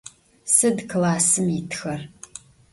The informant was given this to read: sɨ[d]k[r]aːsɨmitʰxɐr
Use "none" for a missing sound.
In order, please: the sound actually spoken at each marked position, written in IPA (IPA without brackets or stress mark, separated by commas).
d, l